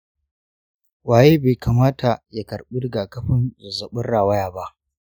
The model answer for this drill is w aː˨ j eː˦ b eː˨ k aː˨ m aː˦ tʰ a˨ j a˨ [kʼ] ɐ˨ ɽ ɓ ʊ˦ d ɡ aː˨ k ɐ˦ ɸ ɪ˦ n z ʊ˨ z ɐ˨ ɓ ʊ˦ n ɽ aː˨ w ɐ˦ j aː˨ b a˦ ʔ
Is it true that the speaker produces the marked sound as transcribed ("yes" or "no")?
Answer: no